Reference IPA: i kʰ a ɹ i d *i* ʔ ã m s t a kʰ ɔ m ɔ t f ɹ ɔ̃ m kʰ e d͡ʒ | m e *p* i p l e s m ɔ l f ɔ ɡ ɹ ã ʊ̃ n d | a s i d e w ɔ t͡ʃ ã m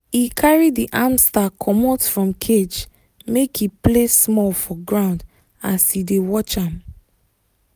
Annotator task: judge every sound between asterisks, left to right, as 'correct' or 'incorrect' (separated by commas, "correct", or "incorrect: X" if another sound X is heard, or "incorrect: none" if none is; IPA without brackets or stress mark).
correct, incorrect: k